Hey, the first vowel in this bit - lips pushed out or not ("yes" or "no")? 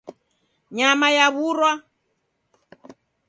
no